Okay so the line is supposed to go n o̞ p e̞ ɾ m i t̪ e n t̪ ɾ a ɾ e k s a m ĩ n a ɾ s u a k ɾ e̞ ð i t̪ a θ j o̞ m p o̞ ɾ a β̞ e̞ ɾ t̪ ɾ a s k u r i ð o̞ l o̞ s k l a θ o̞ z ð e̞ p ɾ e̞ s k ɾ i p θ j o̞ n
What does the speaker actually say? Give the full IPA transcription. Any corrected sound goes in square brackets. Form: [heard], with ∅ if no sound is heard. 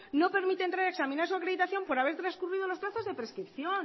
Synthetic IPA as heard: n o̞ p e̞ ɾ m i t̪ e n t̪ ɾ a ɾ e k s a m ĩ n a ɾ s u a k ɾ e̞ ð i t̪ a θ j o̞ m p o̞ ɾ a β̞ e̞ ɾ t̪ ɾ a s k u r i ð o̞ l o̞ s [p] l a θ o̞ z ð e̞ p ɾ e̞ s k ɾ i p θ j o̞ n